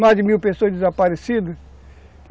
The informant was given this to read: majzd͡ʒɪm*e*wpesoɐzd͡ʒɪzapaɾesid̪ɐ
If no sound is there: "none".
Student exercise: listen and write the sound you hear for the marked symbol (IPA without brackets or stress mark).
i